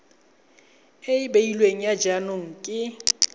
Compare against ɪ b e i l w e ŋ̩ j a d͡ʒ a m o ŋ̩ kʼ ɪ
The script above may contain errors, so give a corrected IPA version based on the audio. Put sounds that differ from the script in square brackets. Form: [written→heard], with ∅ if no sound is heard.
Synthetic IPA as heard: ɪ b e i l w e ŋ̩ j a d͡ʒ a [m→n] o ŋ̩ kʼ ɪ